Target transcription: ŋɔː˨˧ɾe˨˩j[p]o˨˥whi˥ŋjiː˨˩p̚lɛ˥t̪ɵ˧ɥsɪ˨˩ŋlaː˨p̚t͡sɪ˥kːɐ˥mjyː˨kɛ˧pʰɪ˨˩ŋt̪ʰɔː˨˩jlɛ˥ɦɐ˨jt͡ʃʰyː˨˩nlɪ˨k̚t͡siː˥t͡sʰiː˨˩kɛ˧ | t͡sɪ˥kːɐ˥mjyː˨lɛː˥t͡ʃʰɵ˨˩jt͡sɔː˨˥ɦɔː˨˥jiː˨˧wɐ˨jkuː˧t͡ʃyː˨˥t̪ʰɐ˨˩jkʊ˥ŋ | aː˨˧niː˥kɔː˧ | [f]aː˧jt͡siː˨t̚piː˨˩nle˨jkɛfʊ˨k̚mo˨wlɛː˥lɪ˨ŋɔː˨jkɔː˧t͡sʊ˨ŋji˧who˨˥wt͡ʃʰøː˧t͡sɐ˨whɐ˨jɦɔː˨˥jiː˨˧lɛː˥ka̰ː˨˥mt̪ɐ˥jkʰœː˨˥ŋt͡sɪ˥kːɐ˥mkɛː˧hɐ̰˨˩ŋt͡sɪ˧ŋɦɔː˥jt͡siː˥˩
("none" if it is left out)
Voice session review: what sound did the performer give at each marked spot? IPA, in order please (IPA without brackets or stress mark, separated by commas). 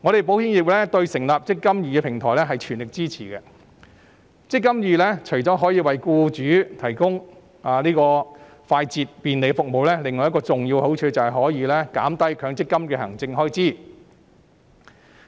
p, f